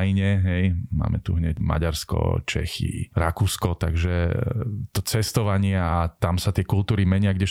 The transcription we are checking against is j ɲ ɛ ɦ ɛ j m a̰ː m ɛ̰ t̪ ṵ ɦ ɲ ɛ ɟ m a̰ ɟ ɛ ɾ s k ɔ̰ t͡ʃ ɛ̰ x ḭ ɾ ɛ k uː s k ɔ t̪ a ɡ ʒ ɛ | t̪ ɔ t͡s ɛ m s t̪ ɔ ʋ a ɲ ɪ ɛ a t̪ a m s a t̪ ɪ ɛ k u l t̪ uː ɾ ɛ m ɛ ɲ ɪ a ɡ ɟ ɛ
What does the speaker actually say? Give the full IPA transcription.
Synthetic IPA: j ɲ ɛ ɦ ɛ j m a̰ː m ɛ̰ t̪ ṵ ɦ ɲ ɛ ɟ m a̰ ɟ a ɾ s k ɔ̰ t͡ʃ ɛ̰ x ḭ ɾ a k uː s k ɔ t̪ a ɡ ʒ ɛ | t̪ ɔ t͡s ɛ s t̪ ɔ ʋ a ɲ ɪ ɛ a t̪ a m s a t̪ ɪ ɛ k u l t̪ uː ɾ i m ɛ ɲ ɪ a ɡ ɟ ɛ